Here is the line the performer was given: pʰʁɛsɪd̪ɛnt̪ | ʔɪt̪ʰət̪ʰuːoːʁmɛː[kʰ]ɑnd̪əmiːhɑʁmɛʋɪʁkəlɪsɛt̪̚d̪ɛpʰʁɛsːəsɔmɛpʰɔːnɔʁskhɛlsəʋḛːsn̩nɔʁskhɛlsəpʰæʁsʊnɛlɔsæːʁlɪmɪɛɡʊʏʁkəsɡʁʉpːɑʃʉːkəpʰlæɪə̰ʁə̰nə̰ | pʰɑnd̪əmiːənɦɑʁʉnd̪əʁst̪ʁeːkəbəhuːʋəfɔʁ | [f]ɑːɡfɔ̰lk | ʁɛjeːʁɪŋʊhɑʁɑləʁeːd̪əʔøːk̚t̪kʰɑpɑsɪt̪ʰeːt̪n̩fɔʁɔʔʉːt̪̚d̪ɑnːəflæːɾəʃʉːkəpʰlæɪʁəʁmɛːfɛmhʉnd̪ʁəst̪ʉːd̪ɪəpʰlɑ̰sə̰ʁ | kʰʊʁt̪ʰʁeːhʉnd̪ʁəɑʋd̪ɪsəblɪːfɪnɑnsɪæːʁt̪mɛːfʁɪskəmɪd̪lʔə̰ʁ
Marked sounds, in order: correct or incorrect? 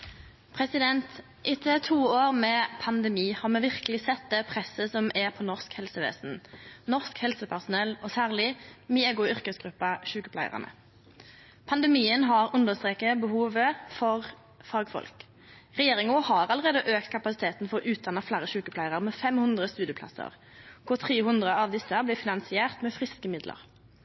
incorrect: pʰ, correct

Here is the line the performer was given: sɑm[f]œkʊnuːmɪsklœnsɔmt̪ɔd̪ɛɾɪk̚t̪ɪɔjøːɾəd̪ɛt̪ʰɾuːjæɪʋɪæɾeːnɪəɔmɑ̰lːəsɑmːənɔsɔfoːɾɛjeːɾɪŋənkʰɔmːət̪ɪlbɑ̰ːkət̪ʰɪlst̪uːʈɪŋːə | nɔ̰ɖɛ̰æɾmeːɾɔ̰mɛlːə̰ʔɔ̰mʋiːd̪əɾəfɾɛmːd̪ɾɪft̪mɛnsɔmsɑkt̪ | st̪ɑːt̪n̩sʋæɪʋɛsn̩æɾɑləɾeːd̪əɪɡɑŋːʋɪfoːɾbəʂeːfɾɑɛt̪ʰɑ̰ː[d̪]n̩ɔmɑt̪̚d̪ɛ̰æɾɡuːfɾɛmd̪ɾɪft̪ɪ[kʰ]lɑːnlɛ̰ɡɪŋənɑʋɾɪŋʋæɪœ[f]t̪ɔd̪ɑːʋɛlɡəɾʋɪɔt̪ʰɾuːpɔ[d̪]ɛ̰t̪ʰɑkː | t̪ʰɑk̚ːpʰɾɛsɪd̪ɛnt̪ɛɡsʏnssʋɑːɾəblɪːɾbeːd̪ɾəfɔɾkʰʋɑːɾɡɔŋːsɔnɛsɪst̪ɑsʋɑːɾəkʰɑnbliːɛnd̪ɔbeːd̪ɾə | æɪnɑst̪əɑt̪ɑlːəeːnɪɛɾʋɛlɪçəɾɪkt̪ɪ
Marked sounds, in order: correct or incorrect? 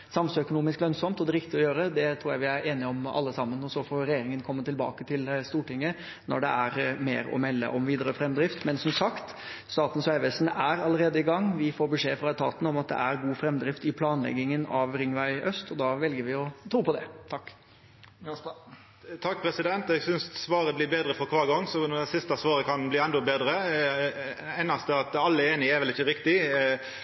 incorrect: s, incorrect: t̪, incorrect: pʰ, incorrect: s, correct

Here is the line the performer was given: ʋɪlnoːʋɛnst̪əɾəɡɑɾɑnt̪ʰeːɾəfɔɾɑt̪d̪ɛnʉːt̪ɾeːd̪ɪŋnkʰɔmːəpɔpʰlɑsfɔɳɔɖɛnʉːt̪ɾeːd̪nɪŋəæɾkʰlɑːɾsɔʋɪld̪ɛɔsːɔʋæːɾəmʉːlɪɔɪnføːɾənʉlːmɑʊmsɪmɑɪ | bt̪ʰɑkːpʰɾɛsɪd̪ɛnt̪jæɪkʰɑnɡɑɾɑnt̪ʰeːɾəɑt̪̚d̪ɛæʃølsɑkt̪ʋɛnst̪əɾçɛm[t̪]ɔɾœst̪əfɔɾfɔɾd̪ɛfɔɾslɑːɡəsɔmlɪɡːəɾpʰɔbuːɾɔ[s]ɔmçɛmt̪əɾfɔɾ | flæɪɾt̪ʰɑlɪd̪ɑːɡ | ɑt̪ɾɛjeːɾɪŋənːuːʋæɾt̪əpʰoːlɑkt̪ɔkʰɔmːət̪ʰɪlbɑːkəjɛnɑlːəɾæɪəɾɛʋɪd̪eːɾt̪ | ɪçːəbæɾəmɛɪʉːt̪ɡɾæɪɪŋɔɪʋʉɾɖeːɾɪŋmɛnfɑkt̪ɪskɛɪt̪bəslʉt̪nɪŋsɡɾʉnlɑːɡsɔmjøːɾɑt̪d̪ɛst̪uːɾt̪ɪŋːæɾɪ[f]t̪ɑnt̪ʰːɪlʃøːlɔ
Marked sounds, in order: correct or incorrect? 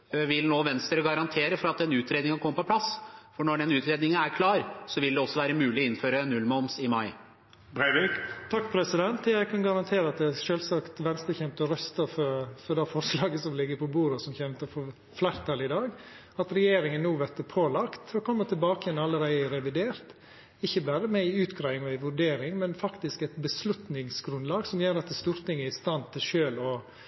correct, correct, incorrect: s

